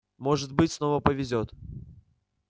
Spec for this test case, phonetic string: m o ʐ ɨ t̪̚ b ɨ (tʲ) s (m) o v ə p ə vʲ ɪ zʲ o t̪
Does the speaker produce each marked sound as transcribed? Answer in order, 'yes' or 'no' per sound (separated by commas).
yes, no